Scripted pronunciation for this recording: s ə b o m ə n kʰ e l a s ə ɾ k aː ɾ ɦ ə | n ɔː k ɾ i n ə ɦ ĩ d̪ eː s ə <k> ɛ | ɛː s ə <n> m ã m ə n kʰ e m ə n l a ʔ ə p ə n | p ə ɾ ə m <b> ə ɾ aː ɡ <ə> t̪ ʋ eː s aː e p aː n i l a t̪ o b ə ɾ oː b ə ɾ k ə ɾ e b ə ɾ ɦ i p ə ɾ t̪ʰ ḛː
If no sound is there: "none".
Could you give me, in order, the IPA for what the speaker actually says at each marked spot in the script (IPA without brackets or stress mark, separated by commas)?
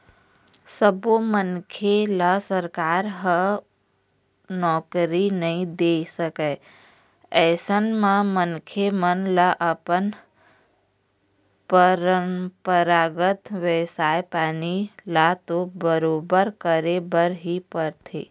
k, n, p, ə